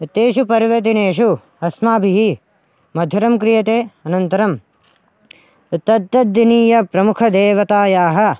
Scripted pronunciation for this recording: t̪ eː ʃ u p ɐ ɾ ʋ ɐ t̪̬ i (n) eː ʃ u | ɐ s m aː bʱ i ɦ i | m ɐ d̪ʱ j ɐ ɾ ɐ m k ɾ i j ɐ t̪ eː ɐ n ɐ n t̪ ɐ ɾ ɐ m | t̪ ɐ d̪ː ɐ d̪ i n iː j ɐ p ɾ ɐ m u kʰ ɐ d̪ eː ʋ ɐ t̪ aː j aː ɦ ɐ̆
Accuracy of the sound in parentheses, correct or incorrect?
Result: correct